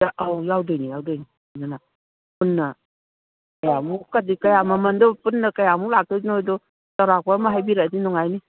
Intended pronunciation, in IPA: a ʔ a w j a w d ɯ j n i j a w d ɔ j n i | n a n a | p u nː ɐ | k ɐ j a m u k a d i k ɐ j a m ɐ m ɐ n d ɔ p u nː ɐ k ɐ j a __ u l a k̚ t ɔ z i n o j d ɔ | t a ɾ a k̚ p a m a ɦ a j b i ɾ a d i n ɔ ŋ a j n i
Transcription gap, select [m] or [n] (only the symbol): m